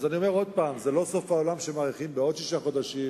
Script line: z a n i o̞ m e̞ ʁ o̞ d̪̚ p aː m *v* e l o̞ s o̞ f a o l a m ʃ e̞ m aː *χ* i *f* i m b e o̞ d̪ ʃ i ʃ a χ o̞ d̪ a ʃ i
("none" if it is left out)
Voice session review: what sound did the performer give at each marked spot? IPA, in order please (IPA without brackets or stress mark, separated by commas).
z, ʁ, χ